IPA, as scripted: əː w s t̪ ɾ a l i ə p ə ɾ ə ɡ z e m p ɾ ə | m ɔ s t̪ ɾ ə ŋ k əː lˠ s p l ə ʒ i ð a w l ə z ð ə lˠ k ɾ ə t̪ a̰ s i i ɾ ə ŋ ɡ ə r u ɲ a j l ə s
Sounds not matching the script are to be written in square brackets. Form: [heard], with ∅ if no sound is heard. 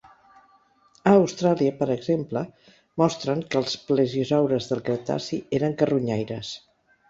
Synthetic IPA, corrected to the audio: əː w s t̪ ɾ a l i ə p ə ɾ ə ɡ z e m p [l] ə | m ɔ s t̪ ɾ ə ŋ k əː lˠ s p l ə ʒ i [z] a w [ɾ] ə z ð ə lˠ k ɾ ə t̪ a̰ s i [e] ɾ ə ŋ [k] ə r u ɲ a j [ɾ] ə s